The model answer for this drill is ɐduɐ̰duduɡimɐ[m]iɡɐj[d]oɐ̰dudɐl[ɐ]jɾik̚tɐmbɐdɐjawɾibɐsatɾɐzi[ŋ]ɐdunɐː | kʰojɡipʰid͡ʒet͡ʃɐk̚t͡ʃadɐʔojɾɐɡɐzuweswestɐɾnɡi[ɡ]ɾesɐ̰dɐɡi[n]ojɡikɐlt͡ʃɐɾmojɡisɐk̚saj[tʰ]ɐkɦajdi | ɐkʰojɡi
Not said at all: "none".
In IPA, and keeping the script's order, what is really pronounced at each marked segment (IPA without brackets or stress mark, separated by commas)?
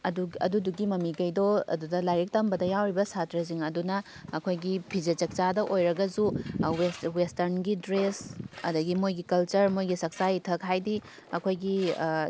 m, d, a, ŋ, d, m, tʰ